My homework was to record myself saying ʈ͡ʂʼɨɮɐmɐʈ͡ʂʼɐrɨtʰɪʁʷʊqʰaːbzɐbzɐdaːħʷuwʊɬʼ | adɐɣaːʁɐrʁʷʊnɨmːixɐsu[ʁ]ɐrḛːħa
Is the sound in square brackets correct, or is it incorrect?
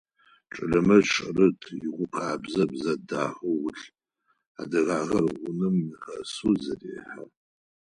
incorrect